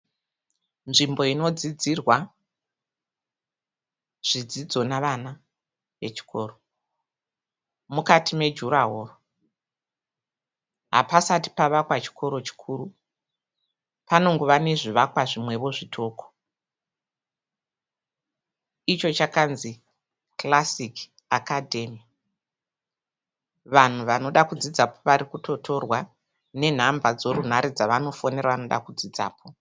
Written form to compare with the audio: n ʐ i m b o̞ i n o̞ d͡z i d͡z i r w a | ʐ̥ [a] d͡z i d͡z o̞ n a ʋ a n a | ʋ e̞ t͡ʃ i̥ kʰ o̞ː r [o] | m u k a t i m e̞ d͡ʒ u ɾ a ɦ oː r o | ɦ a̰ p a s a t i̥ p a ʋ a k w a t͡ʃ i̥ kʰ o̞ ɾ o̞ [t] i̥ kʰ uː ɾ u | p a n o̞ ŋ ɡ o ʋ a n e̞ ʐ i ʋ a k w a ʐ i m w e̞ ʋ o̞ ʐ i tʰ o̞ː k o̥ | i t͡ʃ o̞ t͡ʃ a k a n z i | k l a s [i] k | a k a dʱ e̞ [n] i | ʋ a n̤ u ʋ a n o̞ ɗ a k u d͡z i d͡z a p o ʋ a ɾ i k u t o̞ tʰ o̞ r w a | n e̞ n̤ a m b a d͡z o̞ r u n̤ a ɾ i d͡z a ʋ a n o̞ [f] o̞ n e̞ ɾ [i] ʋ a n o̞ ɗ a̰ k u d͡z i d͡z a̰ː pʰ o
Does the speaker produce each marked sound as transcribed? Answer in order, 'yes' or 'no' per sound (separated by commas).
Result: no, yes, no, yes, no, yes, no